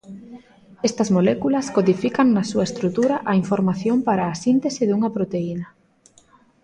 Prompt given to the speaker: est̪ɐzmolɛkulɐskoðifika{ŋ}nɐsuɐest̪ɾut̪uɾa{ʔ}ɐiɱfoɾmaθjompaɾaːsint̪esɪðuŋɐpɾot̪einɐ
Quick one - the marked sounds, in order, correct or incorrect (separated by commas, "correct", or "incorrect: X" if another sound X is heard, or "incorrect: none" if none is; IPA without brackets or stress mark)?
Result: correct, correct